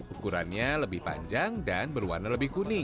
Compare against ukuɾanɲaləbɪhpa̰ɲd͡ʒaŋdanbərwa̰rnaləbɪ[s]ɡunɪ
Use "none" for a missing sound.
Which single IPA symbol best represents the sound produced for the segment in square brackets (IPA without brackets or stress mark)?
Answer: h